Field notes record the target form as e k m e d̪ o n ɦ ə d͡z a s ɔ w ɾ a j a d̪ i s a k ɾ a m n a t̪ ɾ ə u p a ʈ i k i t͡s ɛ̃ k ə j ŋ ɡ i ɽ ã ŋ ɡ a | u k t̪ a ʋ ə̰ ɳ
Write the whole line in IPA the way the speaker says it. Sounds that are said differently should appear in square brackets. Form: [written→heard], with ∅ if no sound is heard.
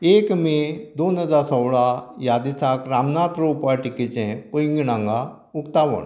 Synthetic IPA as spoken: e k m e d̪ o n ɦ ə d͡z a s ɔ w [ɾ→ɭ] a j a d̪ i s a k ɾ a m n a t̪ ɾ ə u p a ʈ i k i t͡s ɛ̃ [k→p] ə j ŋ ɡ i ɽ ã ŋ ɡ a | u k t̪ a ʋ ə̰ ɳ